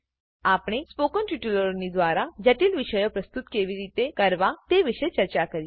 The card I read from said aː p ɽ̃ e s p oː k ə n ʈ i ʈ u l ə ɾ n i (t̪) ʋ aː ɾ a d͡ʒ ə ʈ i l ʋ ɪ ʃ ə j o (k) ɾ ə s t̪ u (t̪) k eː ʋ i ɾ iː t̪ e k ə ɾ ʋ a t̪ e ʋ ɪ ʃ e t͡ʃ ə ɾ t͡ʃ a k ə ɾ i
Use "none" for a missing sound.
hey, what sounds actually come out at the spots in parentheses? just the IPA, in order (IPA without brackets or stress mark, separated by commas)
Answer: d̪, p, t̪